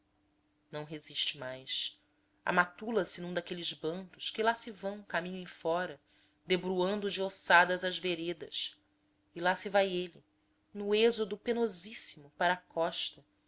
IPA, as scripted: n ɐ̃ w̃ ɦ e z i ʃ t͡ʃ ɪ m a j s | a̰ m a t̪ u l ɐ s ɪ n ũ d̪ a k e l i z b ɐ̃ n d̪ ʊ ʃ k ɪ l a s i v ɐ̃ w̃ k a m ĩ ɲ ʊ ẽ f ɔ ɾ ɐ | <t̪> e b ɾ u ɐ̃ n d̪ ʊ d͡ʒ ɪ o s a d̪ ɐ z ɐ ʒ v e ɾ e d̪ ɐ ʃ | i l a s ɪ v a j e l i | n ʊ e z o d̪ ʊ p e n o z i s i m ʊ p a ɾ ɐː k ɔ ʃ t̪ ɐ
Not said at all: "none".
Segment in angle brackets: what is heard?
d̪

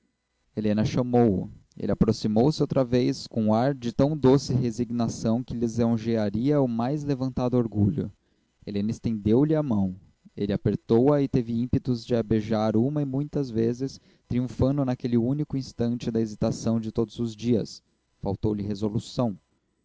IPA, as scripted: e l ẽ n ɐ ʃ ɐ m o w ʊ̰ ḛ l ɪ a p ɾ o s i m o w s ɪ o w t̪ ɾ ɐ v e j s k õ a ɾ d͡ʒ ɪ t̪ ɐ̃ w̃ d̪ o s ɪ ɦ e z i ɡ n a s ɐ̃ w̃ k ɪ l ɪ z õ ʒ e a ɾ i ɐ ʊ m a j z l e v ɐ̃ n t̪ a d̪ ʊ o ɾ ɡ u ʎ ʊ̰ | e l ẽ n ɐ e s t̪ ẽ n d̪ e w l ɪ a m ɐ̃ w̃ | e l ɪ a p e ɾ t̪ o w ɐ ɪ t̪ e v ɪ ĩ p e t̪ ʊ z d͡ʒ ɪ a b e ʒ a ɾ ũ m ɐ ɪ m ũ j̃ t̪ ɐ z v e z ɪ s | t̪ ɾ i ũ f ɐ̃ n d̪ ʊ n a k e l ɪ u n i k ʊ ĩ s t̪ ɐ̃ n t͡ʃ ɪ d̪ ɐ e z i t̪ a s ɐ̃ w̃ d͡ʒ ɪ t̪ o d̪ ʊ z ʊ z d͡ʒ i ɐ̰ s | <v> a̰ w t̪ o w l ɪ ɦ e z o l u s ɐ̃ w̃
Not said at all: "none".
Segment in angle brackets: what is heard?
f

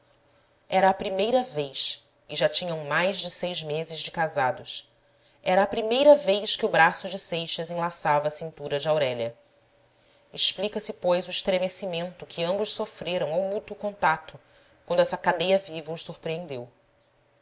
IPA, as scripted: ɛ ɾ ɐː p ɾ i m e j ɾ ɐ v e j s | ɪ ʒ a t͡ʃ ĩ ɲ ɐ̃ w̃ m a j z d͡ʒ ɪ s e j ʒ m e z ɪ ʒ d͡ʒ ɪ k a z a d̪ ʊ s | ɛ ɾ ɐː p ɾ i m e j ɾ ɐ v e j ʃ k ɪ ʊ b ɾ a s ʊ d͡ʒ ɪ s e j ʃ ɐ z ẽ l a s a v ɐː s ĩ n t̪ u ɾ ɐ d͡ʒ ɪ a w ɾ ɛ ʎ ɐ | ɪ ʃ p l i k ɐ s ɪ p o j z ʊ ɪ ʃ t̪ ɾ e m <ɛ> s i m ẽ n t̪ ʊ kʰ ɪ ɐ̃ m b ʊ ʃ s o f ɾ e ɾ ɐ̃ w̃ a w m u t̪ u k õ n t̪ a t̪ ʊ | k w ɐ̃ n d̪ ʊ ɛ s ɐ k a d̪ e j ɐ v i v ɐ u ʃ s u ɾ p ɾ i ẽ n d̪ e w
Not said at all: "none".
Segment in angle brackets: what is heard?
e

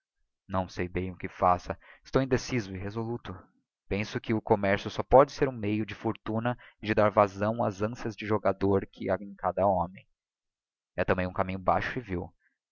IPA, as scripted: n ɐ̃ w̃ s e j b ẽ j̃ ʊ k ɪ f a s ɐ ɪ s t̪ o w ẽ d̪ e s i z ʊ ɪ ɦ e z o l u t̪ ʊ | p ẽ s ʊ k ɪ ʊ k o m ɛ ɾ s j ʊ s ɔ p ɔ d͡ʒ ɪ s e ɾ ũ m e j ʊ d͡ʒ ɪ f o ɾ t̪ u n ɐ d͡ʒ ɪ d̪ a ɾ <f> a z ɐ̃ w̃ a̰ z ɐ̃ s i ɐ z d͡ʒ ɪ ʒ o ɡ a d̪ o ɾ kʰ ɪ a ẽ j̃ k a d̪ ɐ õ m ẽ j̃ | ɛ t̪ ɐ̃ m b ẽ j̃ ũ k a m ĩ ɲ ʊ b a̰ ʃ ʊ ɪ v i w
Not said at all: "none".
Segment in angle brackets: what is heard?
v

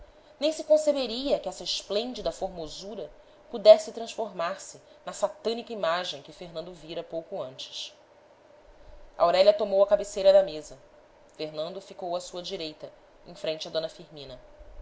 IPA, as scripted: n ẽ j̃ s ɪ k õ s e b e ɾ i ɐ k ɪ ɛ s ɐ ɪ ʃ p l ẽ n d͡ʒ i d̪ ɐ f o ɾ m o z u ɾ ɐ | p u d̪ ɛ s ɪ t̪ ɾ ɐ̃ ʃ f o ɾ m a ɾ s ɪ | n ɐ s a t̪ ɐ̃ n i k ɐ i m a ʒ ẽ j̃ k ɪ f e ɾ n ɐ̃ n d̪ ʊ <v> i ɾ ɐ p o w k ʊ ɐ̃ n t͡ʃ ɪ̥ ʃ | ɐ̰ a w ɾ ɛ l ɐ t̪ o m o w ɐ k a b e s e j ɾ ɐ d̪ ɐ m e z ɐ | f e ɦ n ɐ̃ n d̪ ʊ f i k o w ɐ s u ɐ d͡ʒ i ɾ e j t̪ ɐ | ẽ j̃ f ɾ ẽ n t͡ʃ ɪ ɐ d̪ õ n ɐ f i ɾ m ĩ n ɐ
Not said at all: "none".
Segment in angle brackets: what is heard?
v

